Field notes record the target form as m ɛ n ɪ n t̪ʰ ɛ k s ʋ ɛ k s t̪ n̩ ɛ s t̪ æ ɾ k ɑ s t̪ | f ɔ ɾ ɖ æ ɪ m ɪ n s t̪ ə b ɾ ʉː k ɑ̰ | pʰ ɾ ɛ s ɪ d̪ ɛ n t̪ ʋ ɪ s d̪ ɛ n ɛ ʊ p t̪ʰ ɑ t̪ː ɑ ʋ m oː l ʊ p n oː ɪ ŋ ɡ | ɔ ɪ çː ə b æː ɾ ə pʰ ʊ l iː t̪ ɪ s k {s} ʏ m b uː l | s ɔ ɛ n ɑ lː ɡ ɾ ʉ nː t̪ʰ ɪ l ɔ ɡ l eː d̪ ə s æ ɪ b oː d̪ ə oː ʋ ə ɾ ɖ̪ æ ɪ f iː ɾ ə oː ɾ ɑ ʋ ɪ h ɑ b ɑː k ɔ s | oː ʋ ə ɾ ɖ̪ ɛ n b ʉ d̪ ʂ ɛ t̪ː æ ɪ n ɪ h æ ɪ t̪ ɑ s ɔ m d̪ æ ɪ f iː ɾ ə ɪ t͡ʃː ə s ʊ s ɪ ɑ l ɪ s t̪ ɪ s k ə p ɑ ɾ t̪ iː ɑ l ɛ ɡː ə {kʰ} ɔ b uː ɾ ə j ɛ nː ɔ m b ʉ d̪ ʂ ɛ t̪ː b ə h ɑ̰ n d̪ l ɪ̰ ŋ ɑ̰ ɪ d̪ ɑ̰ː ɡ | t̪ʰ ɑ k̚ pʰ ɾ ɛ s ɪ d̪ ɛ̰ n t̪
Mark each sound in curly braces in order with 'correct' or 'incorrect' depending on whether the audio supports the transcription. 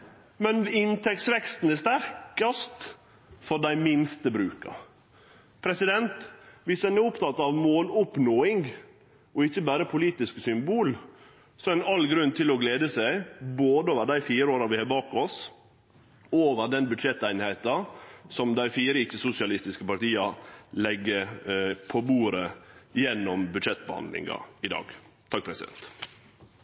correct, incorrect

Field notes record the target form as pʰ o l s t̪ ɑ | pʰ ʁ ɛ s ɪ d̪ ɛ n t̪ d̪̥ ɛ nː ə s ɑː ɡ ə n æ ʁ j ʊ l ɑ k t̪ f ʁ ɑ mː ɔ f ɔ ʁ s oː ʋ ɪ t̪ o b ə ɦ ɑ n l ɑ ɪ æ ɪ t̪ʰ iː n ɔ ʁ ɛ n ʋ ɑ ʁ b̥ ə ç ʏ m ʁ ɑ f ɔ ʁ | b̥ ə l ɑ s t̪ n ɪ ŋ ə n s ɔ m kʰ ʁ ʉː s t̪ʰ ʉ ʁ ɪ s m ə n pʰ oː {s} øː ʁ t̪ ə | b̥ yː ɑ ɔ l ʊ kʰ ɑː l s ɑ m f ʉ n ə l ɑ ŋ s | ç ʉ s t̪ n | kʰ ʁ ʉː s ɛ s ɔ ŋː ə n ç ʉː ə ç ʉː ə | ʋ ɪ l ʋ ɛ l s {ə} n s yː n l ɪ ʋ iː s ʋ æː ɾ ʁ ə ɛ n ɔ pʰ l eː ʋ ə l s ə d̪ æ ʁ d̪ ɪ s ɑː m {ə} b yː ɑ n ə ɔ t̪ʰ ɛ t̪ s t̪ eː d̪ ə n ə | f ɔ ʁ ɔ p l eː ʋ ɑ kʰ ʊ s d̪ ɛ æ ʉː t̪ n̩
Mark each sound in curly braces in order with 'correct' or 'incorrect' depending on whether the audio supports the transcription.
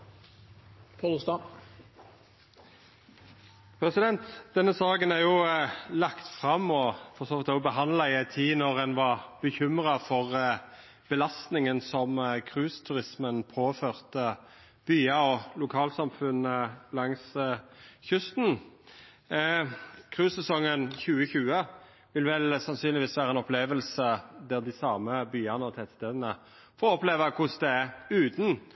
incorrect, incorrect, correct

